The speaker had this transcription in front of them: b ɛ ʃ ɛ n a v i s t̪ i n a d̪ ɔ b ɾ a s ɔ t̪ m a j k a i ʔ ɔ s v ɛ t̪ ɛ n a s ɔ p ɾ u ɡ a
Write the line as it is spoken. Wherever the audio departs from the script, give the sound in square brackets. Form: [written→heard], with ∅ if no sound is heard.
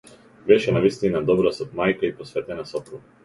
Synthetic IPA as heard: b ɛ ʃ ɛ n a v i s t̪ i n a d̪ ɔ b ɾ a s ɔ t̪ m a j k a i [ʔ→p] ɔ s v ɛ t̪ ɛ n a s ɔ p ɾ u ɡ a